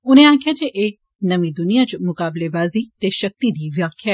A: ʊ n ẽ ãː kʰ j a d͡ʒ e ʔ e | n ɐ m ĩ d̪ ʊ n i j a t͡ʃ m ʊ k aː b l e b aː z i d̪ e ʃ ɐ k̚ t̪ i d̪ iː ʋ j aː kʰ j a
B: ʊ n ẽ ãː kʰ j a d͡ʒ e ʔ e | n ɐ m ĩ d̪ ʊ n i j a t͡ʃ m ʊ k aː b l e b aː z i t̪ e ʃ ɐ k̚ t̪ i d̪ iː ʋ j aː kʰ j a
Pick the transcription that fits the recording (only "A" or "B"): B